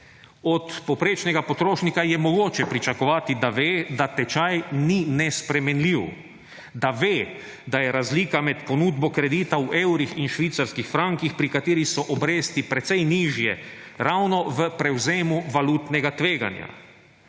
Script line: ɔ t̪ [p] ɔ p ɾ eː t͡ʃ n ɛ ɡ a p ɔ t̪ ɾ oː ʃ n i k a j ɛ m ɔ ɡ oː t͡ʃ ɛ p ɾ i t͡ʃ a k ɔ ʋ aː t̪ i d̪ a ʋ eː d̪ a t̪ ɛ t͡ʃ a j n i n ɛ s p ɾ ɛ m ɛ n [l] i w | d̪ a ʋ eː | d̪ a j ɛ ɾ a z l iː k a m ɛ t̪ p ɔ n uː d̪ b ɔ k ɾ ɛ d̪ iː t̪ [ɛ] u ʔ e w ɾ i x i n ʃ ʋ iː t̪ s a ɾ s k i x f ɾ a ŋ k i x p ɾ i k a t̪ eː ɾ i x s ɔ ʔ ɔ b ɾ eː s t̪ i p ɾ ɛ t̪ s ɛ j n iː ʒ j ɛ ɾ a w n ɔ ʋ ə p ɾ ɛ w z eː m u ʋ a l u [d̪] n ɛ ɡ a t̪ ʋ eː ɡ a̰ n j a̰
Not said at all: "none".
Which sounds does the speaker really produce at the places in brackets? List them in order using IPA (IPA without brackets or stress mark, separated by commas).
p, l, a, t̪